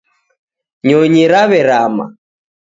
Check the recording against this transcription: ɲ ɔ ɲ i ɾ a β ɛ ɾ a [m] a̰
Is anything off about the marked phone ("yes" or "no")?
no